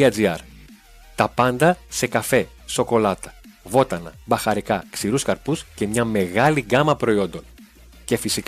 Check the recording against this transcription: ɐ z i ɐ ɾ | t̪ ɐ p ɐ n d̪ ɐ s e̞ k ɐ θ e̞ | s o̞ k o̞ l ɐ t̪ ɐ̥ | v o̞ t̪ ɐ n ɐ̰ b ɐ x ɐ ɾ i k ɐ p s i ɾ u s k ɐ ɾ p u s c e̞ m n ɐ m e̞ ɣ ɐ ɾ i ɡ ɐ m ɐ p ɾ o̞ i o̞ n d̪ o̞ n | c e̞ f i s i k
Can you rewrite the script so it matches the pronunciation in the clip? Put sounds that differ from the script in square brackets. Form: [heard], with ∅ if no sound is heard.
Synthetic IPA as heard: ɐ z i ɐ ɾ | t̪ ɐ p ɐ n d̪ ɐ s e̞ k ɐ [f] e̞ | s o̞ k o̞ l ɐ t̪ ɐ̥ | v o̞ t̪ ɐ n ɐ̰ b ɐ x ɐ ɾ i k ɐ [k] s i ɾ u s k ɐ ɾ p u s c e̞ m [ɲ] ɐ m e̞ ɣ ɐ [l] i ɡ ɐ m ɐ p ɾ o̞ i o̞ n d̪ o̞ n | c e̞ f i s i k